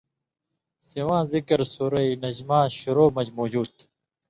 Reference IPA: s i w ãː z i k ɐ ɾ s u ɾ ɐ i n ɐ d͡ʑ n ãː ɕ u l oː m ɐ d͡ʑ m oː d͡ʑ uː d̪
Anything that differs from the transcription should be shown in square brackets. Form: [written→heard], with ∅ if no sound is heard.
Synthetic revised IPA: s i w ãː z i k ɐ ɾ s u ɾ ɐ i n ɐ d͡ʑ [n→m] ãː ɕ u [l→ɾ] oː m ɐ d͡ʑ m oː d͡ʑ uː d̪